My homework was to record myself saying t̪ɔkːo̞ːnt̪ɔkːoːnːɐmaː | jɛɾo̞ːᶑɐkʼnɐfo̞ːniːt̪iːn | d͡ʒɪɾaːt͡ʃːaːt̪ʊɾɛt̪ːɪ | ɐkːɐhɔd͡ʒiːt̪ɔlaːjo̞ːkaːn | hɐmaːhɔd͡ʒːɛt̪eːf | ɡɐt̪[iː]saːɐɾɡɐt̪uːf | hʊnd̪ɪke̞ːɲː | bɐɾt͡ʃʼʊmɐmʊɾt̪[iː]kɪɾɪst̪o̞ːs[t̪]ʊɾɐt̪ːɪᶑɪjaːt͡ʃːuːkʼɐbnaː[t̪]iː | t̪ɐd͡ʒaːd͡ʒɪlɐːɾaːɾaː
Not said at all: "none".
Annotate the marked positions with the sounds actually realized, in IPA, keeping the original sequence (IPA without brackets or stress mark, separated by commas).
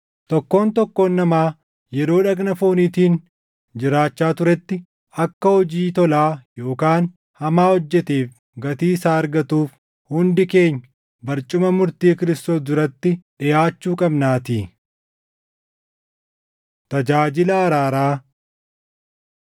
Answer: iː, iː, d̪, t̪